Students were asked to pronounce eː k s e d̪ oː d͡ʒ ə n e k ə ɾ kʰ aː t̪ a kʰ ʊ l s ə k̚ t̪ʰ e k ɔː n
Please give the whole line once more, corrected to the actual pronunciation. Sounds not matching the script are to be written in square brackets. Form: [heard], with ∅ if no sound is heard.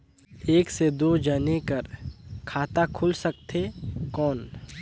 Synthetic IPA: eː k s e d̪ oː d͡ʒ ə n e k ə ɾ kʰ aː t̪ a kʰ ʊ l s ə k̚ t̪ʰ e k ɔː n